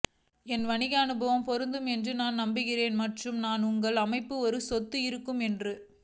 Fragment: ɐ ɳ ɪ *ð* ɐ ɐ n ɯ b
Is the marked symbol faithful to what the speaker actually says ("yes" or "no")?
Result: no